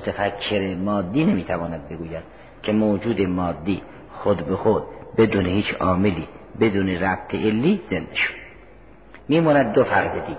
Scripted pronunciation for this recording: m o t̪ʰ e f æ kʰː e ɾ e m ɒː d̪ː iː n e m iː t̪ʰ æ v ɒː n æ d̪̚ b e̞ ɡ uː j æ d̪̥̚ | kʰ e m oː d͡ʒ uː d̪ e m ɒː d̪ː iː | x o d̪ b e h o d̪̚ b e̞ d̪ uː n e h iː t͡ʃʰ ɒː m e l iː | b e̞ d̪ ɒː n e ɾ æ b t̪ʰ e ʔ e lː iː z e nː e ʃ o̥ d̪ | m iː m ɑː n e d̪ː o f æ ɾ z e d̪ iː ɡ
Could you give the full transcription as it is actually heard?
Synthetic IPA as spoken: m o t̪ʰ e f æ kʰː e ɾ e m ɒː d̪ː iː n e m iː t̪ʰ æ v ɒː n æ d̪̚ b e̞ ɡ uː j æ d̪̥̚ | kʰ e m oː d͡ʒ uː d̪ e m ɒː d̪ː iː | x o d̪ b e x o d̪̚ b e̞ d̪ uː n e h iː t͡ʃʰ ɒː m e l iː | b e̞ d̪ uː n e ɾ æ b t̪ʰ e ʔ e lː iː z e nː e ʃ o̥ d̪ | m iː m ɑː n æ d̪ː o f æ ɾ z e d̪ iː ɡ